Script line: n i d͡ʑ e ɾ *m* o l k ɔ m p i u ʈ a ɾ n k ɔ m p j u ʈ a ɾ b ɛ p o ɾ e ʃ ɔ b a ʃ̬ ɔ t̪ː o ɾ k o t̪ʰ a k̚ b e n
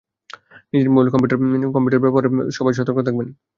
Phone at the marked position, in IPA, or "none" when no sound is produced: m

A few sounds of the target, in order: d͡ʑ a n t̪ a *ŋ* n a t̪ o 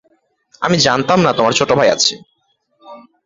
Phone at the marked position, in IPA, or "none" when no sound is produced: m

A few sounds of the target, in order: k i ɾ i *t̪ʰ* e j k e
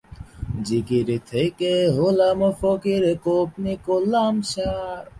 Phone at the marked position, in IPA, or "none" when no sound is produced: t̪ʰ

